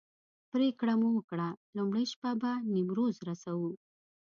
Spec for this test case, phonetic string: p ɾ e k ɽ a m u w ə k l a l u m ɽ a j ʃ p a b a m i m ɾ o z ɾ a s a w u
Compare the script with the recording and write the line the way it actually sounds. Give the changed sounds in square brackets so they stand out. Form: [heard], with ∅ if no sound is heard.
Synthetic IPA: p ɾ e k ɽ a m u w ə k [ɽ] a l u m ɽ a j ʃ p a b a [n] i m ɾ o z ɾ a s a w u